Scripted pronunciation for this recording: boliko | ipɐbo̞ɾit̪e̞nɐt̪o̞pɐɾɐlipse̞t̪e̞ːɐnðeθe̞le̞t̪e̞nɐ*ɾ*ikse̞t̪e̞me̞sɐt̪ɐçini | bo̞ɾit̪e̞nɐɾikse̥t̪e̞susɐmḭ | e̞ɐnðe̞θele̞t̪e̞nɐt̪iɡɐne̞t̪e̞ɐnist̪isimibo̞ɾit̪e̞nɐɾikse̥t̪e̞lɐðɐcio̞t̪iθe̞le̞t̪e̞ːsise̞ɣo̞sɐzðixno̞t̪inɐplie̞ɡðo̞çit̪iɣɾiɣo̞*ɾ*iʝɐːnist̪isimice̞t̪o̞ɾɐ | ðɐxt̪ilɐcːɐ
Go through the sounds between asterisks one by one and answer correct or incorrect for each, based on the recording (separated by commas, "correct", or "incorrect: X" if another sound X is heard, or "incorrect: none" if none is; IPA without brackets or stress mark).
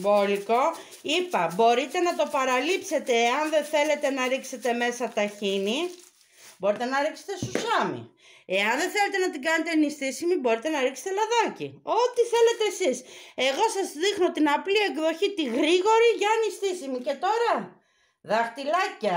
correct, correct